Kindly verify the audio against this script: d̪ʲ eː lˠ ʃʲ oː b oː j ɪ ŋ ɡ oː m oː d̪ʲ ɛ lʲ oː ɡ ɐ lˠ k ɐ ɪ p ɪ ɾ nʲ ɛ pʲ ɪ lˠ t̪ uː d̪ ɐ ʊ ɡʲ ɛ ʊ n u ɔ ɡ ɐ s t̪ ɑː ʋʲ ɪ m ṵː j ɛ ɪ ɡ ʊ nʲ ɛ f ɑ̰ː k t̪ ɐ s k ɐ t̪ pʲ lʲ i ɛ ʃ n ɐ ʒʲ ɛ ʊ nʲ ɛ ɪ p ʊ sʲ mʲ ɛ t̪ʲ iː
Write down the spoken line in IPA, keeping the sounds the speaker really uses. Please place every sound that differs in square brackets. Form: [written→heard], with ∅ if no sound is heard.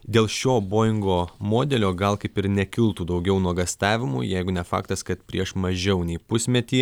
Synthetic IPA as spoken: d̪ʲ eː lˠ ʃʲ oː b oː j ɪ ŋ ɡ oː m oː d̪ʲ ɛ lʲ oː ɡ ɐ lˠ k ɐ ɪ p ɪ ɾ nʲ ɛ [pʲ→kʲ] ɪ lˠ t̪ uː d̪ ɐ ʊ ɡʲ ɛ ʊ n u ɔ ɡ ɐ s t̪ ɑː ʋʲ ɪ m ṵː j ɛ ɪ ɡ ʊ nʲ ɛ f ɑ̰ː k t̪ ɐ s k ɐ t̪ pʲ [lʲ→ɾʲ] i ɛ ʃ [n→m] ɐ ʒʲ ɛ ʊ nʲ ɛ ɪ p ʊ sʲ mʲ ɛ t̪ʲ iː